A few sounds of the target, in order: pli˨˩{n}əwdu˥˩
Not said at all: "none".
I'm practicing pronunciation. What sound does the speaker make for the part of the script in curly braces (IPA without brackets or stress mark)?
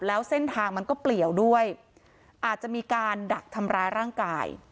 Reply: none